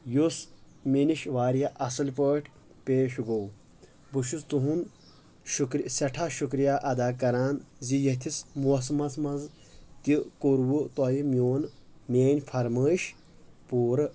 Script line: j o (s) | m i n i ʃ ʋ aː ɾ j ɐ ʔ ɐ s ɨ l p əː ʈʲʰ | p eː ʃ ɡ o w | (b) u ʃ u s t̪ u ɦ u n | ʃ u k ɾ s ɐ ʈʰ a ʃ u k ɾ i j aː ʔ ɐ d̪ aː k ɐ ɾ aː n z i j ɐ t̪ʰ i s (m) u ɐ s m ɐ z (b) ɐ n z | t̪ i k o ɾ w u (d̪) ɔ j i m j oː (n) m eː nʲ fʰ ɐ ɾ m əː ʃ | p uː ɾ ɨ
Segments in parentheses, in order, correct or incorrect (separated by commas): correct, correct, correct, incorrect, incorrect, correct